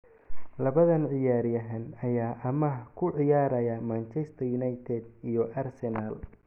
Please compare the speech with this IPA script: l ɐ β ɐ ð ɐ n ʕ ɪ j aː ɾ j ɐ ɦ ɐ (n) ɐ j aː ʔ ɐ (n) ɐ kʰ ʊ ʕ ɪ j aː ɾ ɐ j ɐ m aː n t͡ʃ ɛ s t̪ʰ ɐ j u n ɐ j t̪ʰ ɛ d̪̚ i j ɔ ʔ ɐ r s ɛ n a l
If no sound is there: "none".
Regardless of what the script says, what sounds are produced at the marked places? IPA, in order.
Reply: n, m

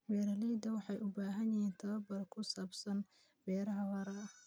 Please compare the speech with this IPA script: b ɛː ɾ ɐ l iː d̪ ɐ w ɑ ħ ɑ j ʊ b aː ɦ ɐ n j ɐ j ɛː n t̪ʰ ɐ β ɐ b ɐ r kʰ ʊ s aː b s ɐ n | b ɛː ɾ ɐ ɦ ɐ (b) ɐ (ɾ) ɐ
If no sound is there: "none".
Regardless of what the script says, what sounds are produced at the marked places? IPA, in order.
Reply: w, ɾ

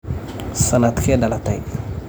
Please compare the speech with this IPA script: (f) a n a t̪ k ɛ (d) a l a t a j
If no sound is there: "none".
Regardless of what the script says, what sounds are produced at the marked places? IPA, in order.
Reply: s, d

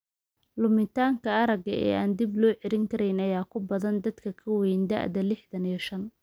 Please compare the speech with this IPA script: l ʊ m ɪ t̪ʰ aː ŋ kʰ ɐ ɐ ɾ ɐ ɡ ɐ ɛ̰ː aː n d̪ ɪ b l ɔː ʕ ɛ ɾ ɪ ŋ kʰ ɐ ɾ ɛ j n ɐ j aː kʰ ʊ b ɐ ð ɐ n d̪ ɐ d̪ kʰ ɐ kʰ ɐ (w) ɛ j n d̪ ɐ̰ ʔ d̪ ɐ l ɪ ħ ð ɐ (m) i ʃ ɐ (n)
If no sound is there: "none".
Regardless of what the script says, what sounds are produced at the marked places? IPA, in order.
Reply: w, n, n

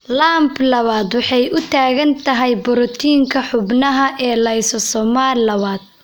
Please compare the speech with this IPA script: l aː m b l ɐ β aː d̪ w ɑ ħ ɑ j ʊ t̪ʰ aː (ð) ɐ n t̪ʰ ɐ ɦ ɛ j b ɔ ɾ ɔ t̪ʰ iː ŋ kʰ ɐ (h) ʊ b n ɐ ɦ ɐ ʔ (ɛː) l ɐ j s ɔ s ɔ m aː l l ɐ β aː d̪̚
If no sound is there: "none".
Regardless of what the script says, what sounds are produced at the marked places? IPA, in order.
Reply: ɣ, ħ, ɛː

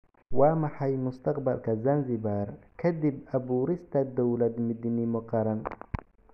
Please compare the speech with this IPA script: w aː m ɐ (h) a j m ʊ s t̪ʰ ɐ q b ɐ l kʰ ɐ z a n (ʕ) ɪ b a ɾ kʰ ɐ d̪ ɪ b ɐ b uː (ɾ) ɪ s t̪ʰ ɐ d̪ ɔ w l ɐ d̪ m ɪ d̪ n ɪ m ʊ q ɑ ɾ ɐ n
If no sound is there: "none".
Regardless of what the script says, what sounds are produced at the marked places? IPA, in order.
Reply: ħ, z, ɾ

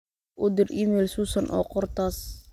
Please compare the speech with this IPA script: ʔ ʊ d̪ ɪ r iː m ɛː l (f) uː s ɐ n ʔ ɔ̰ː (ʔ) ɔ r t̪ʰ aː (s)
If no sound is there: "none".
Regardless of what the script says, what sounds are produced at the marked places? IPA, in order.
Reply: s, q, s

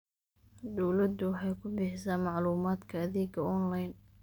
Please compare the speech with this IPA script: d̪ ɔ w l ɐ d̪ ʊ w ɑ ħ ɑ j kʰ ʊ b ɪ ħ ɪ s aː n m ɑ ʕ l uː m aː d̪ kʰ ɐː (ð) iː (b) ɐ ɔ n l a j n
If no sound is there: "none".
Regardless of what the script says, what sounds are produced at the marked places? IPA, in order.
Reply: ð, ɡ

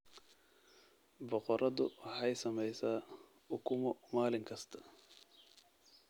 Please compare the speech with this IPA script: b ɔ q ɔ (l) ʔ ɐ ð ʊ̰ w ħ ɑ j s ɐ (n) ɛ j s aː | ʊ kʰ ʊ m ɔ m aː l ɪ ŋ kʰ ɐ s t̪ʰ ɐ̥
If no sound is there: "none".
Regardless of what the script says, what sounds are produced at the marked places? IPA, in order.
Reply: ɾ, m

